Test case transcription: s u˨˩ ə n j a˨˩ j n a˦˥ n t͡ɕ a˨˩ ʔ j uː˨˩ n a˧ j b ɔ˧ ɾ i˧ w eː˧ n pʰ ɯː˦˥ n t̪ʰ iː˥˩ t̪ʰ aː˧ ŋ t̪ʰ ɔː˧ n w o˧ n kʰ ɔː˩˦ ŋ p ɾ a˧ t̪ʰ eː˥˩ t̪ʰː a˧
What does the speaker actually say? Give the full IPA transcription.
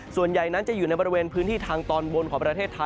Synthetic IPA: s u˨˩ ə n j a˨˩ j n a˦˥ n t͡ɕ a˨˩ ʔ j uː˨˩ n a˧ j b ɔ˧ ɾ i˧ w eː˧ n pʰ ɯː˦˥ n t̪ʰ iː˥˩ t̪ʰ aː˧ ŋ t̪ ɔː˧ n w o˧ n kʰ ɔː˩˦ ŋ p ɾ a˧ t̪ʰ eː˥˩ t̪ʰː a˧